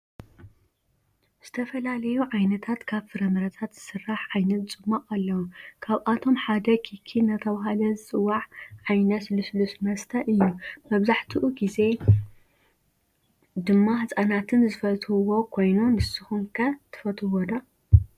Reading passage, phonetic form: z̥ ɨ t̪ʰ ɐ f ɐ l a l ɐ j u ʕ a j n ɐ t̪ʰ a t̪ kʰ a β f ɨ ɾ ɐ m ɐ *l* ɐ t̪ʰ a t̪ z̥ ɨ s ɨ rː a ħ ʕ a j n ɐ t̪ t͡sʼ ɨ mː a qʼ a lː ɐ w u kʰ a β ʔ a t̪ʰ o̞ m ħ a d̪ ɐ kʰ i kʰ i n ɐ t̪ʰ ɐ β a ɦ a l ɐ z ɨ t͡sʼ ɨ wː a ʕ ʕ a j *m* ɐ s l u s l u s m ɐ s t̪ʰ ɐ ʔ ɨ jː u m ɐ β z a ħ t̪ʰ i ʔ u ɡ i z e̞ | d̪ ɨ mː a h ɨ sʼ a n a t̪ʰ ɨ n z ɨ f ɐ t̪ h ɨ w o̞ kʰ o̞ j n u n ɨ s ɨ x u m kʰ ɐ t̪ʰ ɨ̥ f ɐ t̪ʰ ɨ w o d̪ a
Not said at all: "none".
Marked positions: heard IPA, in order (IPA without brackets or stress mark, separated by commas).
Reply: ɾ, n